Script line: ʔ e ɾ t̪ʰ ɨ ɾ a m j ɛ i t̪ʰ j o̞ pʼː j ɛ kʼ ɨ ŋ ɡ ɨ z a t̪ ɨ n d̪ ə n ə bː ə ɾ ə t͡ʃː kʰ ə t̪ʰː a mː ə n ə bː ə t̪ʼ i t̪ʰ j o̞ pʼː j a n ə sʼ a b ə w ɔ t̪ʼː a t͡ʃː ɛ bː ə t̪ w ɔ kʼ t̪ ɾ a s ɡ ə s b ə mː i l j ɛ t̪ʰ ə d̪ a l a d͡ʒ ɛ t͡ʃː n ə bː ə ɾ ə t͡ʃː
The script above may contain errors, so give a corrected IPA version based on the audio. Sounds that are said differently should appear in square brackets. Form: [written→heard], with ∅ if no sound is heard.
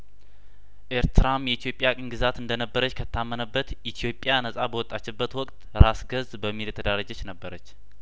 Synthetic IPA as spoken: ʔ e ɾ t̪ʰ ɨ ɾ a m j ɛ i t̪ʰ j o̞ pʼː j [ɛ→a] kʼ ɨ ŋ ɡ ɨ z a t̪ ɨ n d̪ ə n ə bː ə ɾ ə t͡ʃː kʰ ə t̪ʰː a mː ə n ə bː ə [t̪ʼ→t̪] i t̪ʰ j o̞ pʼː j a n ə sʼ a b ə w ɔ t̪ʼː a t͡ʃː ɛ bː ə t̪ w ɔ kʼ t̪ ɾ a s ɡ ə [s→z] b ə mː i l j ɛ t̪ʰ ə d̪ a [l→ɾ] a d͡ʒ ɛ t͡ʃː n ə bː ə ɾ ə t͡ʃː